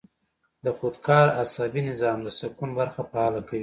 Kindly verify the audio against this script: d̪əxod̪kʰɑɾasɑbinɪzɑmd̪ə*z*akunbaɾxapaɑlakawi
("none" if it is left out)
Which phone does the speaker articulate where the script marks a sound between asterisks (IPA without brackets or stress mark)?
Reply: s